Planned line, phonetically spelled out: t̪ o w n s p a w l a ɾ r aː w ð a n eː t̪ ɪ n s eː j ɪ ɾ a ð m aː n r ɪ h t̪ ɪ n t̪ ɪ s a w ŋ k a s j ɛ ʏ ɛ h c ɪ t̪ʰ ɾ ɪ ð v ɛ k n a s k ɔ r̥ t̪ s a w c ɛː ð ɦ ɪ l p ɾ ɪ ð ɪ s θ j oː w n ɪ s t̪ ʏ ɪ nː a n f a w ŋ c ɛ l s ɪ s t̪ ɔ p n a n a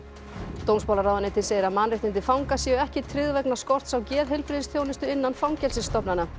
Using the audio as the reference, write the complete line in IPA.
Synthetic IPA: t̪ o w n s p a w l a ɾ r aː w ð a n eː t̪ ɪ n s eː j ɪ ɾ a ð m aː n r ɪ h t̪ ɪ n t̪ ɪ f a w ŋ k a s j ɛ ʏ ɛ h c ɪ t̪ʰ ɾ ɪ ð v ɛ k n a s k ɔ r̥ t̪ s a w c ɛː ð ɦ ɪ l p ɾ ɪ ð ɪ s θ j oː w n ɪ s t̪ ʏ ɪ nː a n f a w ŋ c ɛ l s ɪ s t̪ ɔ p n a n a